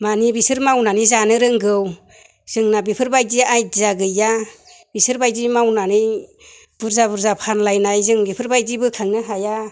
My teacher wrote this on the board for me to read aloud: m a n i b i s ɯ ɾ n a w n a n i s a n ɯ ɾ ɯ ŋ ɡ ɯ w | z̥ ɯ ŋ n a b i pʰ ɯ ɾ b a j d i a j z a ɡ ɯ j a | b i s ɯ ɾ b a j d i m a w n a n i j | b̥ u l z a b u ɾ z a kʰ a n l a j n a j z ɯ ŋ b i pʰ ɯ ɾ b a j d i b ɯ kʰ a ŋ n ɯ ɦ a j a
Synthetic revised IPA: m a n i b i s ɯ ɾ m a w n a n i z a n ɯ ɾ ɯ ŋ ɡ ɯ w | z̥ ɯ ŋ n a b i pʰ ɯ ɾ b a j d i a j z a ɡ ɯ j a | b i s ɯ ɾ b a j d i m a w n a n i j | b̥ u ɾ z a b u ɾ z a pʰ a n l a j n a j z ɯ ŋ b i pʰ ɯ ɾ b a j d i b ɯ kʰ a ŋ n ɯ ɦ a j a